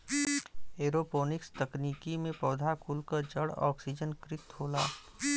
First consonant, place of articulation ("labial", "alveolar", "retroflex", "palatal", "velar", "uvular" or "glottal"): alveolar